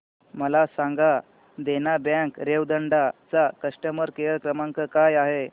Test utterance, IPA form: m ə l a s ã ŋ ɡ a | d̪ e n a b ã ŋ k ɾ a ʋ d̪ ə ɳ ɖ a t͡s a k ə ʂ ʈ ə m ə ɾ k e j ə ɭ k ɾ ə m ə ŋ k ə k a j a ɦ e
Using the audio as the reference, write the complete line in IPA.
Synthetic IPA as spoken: m ə l a s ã ŋ ɡ a | d̪ e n a b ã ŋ k ɾ e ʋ d̪ ə ɳ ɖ a t͡s a k ə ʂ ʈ ə m ə ɾ k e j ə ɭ k ɾ ə m a ŋ k ə k a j a ɦ e